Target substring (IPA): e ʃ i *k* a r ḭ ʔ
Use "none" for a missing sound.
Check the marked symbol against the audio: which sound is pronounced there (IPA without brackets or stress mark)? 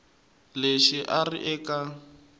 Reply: ʔ